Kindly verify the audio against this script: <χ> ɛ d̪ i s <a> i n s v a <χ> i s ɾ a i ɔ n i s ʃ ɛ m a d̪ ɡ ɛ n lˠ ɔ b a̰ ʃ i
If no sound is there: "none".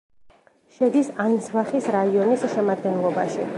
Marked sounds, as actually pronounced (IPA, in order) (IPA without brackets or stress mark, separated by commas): ʃ, a, χ